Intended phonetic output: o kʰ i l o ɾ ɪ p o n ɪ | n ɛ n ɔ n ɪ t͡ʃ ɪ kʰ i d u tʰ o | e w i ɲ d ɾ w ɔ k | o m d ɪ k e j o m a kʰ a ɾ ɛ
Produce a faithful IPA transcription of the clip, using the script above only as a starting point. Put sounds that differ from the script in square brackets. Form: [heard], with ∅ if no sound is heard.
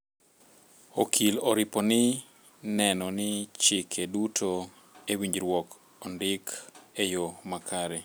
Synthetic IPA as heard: o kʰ i l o ɾ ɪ p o n ɪ | n ɛ n ɔ n ɪ t͡ʃ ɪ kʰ [e] d u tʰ o | e w i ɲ [d͡ʒ] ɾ w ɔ k | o [n] d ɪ k e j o m a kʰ a ɾ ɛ

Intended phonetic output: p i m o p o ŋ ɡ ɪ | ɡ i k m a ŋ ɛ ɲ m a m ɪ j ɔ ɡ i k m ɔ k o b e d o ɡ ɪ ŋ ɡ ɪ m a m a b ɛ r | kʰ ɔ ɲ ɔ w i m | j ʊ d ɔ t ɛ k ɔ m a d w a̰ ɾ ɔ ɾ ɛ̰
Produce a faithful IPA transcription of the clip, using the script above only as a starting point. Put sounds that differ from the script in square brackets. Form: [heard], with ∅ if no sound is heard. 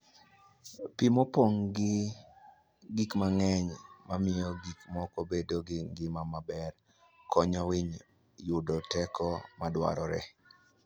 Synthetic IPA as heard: p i m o p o ŋ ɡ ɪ | ɡ i k m a ŋ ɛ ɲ m a m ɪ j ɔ ɡ i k m ɔ k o b e d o ɡ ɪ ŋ ɡ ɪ m a m a b ɛ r | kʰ ɔ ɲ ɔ w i [ɲ] | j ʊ d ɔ t ɛ k ɔ m a d w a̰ ɾ ɔ ɾ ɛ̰

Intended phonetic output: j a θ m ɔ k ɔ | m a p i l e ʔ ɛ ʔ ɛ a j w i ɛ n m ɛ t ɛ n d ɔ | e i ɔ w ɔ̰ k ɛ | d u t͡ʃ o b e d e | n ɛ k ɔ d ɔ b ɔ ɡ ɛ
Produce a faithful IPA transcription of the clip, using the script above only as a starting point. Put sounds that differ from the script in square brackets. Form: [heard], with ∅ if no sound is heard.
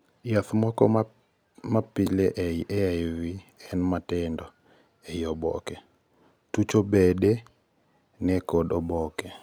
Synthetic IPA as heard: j a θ m ɔ k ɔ | m a p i l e ʔ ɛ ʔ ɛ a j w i ɛ n m [a] t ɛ n d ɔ | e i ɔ [b] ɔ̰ k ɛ | [t] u t͡ʃ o b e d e | n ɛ k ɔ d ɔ b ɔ [k] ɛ

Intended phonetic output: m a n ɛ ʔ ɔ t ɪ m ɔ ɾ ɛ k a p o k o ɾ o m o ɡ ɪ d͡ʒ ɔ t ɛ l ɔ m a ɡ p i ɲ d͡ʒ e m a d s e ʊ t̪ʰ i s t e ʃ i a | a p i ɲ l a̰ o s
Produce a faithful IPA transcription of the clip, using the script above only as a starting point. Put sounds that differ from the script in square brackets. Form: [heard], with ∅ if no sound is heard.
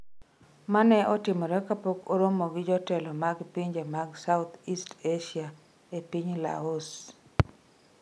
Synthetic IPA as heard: m a n ɛ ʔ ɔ t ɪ m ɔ ɾ ɛ k a p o k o ɾ o m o ɡ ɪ d͡ʒ ɔ t ɛ l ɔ m a ɡ p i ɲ d͡ʒ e m a [ɡ] s [a] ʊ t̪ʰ i s t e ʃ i a | [e] p i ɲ l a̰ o s

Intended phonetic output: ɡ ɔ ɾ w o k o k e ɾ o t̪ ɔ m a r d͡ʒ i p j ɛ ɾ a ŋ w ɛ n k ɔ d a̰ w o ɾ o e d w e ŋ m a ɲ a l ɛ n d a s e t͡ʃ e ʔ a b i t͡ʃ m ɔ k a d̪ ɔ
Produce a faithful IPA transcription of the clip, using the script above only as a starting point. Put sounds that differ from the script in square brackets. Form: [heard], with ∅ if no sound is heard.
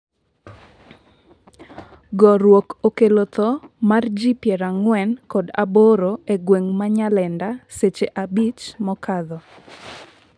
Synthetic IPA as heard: ɡ ɔ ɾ w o k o k e [l] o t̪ ɔ m a r d͡ʒ i p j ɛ ɾ a ŋ w ɛ n k ɔ d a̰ [b] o ɾ o e [ɡ] w e ŋ m a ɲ a l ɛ n d a s e t͡ʃ e ʔ a b i t͡ʃ m ɔ k a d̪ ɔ

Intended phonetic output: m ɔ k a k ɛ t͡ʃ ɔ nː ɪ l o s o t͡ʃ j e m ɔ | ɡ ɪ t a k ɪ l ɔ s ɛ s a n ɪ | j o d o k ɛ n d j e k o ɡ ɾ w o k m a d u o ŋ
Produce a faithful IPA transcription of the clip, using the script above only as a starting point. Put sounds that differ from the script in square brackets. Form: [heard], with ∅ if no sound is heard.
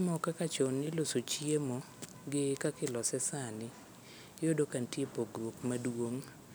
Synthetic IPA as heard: m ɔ k a k [a] t͡ʃ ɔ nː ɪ l o s o t͡ʃ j e m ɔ | ɡ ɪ [k] a k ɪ l ɔ s ɛ s a n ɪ | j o d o k [a] n [t] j e [p] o ɡ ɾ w o k m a d [w] o ŋ

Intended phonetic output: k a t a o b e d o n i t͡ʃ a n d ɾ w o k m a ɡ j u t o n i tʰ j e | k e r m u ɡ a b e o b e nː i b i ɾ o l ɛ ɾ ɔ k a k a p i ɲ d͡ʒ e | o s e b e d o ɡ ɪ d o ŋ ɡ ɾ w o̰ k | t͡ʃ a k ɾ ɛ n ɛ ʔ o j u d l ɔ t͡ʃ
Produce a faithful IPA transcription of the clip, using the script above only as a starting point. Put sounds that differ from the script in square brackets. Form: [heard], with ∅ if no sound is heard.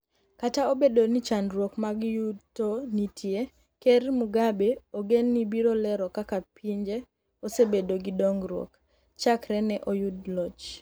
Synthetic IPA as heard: k a t a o b e d o n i t͡ʃ a n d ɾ w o k m a ɡ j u t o n i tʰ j e | k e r m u ɡ a b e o [ɡ] e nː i b i ɾ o l ɛ ɾ ɔ k a k a p i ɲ d͡ʒ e | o s e b e d o ɡ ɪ d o ŋ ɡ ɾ w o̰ k | t͡ʃ a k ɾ ɛ n ɛ ʔ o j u d l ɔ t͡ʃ

